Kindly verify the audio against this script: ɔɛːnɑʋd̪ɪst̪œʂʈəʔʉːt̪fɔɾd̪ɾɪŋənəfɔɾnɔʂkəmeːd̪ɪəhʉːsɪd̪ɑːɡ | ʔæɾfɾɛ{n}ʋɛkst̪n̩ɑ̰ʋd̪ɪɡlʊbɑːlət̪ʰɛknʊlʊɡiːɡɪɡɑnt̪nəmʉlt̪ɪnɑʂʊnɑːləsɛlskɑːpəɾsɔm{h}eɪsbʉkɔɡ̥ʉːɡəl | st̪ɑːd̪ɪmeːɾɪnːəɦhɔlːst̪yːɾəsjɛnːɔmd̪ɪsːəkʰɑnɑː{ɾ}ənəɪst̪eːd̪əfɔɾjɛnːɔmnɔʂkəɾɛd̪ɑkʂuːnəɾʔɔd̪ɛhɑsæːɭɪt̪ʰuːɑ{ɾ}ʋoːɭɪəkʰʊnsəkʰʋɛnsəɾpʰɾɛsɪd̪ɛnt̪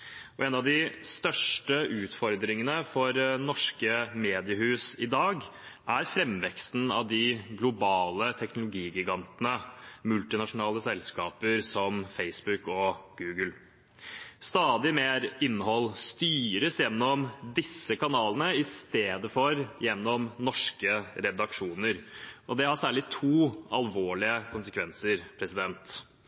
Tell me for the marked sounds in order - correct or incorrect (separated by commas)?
incorrect, incorrect, incorrect, incorrect